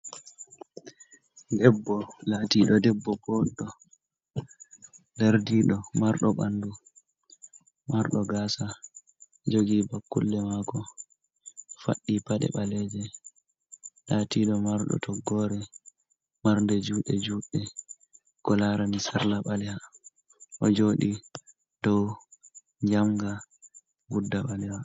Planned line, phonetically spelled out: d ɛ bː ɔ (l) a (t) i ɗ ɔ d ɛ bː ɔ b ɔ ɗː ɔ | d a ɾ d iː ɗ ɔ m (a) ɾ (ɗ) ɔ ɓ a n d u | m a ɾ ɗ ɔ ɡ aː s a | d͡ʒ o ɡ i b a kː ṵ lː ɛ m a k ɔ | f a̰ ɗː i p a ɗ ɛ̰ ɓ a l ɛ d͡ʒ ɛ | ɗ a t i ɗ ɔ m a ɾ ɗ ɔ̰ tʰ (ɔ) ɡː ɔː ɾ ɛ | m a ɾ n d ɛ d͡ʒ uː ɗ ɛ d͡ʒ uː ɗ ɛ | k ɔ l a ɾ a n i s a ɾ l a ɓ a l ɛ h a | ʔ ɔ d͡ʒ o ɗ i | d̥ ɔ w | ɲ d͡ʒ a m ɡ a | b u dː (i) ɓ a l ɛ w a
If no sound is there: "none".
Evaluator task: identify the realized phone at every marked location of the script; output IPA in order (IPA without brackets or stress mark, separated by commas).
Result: l, t, a, ɗ, ɔ, a